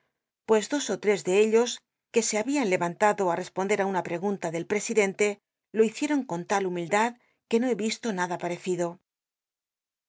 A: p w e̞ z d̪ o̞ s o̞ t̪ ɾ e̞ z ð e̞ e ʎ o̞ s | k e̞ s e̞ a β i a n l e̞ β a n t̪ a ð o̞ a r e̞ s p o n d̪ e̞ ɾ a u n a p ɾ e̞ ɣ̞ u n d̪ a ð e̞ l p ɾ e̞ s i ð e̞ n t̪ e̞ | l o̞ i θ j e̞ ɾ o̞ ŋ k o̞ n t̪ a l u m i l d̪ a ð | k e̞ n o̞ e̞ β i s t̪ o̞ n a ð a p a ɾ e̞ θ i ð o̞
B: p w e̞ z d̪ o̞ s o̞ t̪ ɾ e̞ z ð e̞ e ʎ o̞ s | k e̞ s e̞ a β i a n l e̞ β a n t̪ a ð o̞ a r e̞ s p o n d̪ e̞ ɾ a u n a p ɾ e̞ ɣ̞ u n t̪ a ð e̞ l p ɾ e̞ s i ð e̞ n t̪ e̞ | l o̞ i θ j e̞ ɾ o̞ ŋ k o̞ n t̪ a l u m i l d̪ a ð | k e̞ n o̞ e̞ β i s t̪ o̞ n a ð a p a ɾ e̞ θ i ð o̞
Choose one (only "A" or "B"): B